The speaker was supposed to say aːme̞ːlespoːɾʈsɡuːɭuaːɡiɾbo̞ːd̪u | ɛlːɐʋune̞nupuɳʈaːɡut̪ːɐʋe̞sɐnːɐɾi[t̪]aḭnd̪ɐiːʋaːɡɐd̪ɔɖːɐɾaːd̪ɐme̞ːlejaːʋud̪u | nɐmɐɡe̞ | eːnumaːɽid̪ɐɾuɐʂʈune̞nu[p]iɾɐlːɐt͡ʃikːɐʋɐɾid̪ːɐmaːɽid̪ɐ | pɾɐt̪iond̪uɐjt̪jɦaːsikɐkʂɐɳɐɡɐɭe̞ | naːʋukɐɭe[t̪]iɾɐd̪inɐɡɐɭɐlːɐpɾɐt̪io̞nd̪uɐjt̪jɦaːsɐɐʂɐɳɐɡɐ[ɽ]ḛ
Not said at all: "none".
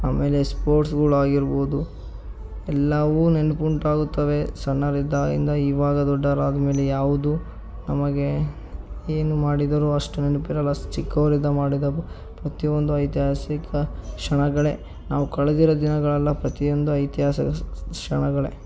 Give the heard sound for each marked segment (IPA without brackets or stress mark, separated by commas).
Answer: d̪, p, d̪, ɭ